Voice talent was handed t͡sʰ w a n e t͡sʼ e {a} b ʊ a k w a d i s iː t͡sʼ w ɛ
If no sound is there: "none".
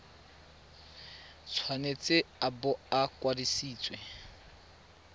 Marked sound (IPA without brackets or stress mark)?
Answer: a